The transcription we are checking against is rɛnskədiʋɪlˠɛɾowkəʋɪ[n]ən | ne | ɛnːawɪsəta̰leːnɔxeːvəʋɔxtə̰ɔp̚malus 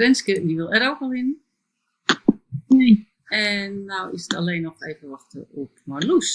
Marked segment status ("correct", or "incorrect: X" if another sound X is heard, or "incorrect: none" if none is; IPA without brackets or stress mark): correct